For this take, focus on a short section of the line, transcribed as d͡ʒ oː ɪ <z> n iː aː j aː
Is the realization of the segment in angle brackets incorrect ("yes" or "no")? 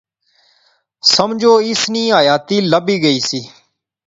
yes